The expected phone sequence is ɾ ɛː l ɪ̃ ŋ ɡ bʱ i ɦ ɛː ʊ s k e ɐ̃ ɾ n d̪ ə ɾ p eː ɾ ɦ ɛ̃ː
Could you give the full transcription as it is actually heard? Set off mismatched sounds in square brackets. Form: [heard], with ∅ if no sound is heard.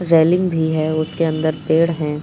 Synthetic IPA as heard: ɾ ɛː l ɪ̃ ŋ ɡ bʱ i ɦ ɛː ʊ s k e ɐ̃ [∅] n d̪ ə ɾ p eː [ɽ] ɦ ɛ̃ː